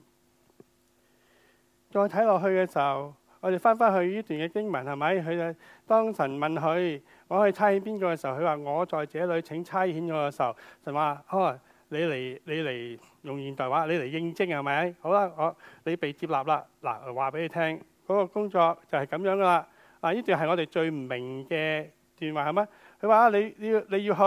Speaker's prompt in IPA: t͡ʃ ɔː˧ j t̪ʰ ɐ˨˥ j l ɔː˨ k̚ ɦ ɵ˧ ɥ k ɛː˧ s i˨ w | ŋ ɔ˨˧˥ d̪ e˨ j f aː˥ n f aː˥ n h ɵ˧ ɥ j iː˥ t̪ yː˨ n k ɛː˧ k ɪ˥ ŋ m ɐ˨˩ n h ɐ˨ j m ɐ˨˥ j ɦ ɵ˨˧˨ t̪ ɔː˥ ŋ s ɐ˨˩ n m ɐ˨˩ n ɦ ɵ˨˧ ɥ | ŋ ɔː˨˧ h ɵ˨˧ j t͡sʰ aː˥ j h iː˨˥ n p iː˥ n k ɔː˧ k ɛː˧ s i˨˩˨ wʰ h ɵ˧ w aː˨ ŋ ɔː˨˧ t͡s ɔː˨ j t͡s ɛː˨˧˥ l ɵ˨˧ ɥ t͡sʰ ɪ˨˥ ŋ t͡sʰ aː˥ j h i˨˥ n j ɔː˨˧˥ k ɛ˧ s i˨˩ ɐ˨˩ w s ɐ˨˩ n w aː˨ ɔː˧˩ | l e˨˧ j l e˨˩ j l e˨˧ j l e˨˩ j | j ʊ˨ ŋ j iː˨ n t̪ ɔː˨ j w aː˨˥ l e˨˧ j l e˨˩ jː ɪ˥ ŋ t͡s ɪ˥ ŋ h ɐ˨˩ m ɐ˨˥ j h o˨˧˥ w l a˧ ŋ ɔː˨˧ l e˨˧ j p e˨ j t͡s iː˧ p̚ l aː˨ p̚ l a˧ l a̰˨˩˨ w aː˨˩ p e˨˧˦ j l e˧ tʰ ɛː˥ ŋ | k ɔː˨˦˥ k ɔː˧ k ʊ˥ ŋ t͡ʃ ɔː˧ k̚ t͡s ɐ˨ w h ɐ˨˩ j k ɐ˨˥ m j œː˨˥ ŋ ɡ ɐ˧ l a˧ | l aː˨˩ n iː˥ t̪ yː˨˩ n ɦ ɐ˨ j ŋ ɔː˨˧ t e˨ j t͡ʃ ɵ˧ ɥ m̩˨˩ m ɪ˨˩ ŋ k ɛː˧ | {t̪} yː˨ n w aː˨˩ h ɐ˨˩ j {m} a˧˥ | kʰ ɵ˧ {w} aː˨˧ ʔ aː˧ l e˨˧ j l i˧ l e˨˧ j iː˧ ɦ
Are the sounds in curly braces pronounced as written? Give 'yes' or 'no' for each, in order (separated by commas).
yes, yes, yes